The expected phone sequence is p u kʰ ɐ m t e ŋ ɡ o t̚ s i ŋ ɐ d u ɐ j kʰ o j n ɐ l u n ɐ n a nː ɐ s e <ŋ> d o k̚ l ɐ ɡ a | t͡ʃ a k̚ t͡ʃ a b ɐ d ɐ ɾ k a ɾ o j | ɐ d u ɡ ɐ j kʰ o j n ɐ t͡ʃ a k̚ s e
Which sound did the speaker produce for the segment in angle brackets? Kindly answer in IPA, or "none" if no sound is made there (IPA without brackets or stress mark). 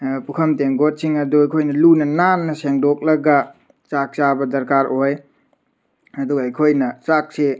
ŋ